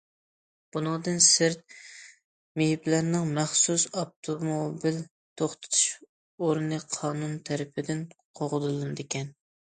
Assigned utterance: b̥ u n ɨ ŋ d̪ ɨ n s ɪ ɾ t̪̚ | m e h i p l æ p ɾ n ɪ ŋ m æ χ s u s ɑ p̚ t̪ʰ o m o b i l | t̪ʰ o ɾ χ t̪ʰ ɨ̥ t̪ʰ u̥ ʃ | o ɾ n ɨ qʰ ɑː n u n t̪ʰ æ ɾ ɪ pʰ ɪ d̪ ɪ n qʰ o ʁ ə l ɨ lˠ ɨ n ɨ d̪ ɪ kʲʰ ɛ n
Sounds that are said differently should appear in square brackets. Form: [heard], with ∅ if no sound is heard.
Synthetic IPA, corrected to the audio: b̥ u n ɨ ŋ d̪ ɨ n s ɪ ɾ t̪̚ | m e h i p l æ [∅] ɾ n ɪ ŋ m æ χ s u s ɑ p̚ t̪ʰ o m o b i l | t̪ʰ o [∅] χ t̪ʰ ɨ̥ t̪ʰ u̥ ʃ | o ɾ n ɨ qʰ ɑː n u n t̪ʰ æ ɾ ɪ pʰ ɪ d̪ ɪ n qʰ o ʁ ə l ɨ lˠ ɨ n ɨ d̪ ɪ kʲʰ ɛ n